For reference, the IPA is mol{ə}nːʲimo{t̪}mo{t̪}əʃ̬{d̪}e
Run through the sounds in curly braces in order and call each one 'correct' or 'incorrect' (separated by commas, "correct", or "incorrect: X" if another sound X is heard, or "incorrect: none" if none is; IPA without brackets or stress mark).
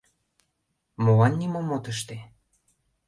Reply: incorrect: ɑ, incorrect: none, correct, incorrect: t̪